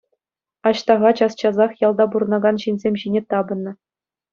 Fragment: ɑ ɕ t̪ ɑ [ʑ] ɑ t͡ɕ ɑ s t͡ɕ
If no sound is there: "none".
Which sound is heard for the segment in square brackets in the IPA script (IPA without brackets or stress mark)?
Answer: ʁ